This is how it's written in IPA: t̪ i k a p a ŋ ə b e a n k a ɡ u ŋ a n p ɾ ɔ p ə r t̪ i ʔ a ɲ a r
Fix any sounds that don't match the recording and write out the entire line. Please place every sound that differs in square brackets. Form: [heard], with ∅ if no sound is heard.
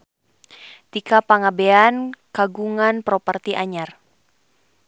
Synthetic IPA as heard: t̪ i k a p a ŋ [a] b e a n k a ɡ u ŋ a n p ɾ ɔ p ə r t̪ i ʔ a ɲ a r

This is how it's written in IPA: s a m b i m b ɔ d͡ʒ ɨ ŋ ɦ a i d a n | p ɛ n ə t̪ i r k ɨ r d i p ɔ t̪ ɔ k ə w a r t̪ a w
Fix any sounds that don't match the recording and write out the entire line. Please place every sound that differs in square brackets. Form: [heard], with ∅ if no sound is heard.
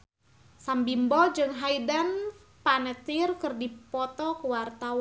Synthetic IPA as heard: s a m b i m b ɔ d͡ʒ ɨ ŋ ɦ a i d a n | p [a] n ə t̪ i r k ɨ r d i p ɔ t̪ ɔ k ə w a r t̪ a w

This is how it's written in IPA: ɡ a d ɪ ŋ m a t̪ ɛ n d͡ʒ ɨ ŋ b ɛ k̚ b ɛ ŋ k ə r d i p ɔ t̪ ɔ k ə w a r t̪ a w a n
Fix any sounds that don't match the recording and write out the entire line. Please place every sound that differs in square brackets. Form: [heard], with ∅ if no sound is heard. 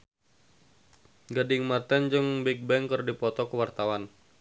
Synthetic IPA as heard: ɡ a d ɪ ŋ m a t̪ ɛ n d͡ʒ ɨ ŋ b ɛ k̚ b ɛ ŋ k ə r d i p ɔ t̪ ɔ k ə w a r t̪ a w a n

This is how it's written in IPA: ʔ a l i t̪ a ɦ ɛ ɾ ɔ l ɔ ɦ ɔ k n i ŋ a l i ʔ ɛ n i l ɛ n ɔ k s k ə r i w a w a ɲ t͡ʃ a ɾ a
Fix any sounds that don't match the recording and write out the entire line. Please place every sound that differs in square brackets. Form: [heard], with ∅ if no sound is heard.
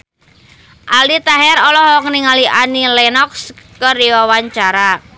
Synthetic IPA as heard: ʔ a l i t̪ a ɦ ɛ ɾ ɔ l ɔ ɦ ɔ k n i ŋ a l i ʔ [a] n i l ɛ n ɔ k s k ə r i w a w a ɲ t͡ʃ a ɾ a

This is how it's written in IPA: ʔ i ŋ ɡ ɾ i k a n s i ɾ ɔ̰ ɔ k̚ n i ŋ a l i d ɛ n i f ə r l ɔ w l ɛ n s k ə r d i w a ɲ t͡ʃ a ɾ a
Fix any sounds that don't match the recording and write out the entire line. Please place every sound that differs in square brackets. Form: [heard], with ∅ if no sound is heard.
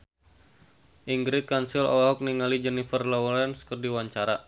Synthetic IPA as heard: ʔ i ŋ ɡ ɾ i k a n s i [l] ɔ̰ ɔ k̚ n i ŋ a l i [d͡ʒ] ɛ n i f ə r l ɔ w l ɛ n s k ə r d i w a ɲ t͡ʃ a ɾ a

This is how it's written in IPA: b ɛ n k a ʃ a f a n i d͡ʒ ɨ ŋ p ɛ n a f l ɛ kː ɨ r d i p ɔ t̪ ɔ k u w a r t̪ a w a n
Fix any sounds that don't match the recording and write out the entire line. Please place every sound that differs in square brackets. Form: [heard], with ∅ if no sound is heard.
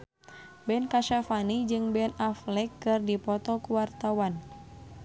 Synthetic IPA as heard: b ɛ n k a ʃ a f a n i d͡ʒ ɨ ŋ [b] ɛ n a f l ɛ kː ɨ r d i p ɔ t̪ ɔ k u w a r t̪ a w a n

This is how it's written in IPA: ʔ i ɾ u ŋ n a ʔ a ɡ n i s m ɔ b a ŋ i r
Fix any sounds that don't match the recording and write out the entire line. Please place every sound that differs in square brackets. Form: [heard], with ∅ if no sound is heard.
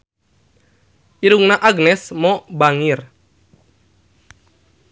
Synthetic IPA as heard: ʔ i ɾ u ŋ n a ʔ a ɡ n [ɛ] s m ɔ b a ŋ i r

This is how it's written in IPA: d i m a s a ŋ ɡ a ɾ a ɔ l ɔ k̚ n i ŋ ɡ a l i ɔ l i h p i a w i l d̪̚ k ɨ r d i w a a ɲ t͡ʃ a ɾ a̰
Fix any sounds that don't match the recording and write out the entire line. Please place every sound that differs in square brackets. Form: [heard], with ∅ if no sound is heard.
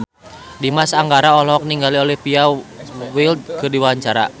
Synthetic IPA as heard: d i m a s a ŋ ɡ a ɾ a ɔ l ɔ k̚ n i ŋ ɡ a l i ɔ l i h p i a w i l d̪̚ k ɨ r d i w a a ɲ t͡ʃ a ɾ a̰

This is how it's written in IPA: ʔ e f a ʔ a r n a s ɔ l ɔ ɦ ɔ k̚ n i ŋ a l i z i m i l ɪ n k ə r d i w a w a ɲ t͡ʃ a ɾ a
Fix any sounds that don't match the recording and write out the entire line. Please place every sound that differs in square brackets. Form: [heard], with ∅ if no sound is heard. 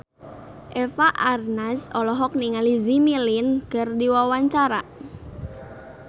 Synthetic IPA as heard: ʔ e f a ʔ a r n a s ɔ l ɔ ɦ ɔ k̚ n i ŋ a l i z i m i l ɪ n k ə r d i w a w a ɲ t͡ʃ a ɾ a

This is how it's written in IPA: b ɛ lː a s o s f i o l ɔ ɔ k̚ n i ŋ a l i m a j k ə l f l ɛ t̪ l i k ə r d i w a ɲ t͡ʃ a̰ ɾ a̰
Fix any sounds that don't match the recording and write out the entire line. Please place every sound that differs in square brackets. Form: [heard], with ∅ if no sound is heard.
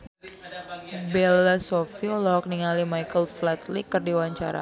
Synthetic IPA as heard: b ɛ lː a s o [∅] f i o l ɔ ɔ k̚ n i ŋ a l i m a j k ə l f l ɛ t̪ l i k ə r d i w a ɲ t͡ʃ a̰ ɾ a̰

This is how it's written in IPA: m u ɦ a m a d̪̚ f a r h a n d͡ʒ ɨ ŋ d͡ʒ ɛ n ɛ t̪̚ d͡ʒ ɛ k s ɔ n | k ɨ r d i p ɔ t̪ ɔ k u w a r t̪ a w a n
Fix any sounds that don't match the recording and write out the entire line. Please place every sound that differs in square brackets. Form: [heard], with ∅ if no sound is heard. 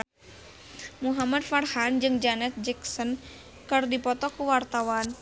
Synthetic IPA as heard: m u ɦ a m a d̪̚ f a r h a n d͡ʒ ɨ ŋ d͡ʒ [a] n ɛ t̪̚ d͡ʒ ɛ k s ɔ n | k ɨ r d i p ɔ t̪ ɔ k u w a r t̪ a w a n

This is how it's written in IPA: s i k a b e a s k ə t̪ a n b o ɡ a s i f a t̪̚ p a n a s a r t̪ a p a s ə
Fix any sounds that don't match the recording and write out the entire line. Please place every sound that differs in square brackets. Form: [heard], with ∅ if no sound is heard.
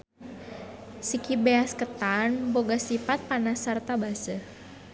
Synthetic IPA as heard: s i k [i] b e a s k ə t̪ a n b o ɡ a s i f a t̪̚ p a n a s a r t̪ a [b] a s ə

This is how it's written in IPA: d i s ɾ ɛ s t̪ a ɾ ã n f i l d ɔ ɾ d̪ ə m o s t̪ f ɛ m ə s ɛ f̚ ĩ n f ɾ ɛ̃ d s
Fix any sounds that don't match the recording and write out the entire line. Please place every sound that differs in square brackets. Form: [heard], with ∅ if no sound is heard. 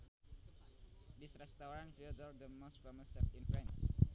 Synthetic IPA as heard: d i s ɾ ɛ s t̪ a ɾ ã n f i l d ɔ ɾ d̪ ə m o s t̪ f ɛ m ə s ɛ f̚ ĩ n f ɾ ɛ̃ [n] s

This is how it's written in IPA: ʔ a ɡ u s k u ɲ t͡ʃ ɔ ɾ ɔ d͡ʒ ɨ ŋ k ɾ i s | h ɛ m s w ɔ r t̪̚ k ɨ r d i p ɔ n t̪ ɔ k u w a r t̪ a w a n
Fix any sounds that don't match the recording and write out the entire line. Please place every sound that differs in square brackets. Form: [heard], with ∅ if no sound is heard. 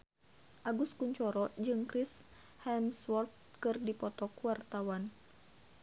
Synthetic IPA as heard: ʔ a ɡ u s k u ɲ t͡ʃ ɔ ɾ ɔ d͡ʒ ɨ ŋ k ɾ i s | h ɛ m s w ɔ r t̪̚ k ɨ r d i p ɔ [∅] t̪ ɔ k u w a r t̪ a w a n

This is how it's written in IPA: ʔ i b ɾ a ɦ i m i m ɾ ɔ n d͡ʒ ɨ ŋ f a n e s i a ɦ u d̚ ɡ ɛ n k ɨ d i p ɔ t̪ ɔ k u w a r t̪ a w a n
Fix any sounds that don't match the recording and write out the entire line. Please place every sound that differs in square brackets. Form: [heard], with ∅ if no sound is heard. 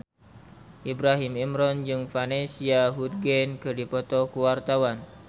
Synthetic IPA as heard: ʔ i b ɾ a ɦ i m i m ɾ ɔ n d͡ʒ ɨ ŋ f a n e s i a ɦ u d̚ ɡ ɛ n k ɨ d i p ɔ t̪ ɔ k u w a r t̪ a w a n

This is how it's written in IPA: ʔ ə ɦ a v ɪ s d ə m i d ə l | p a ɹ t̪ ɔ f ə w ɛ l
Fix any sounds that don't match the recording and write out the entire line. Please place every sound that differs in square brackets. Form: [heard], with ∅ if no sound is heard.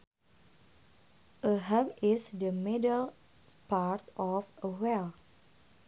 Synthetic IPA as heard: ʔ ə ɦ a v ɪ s d ə m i d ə l | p a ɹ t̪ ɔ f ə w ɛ l

